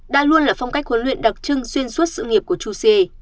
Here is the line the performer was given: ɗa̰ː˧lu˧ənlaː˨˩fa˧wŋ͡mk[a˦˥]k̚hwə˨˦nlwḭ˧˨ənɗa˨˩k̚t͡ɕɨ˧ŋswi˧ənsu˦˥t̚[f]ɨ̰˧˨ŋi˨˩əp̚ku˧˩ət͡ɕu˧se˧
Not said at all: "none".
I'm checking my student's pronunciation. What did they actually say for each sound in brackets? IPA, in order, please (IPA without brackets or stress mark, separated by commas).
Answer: a˦˥, s